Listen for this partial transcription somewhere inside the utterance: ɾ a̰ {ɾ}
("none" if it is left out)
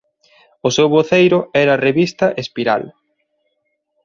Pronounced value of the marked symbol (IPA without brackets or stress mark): l